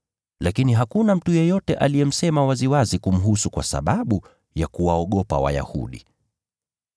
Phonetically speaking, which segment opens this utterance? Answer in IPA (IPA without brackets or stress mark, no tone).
l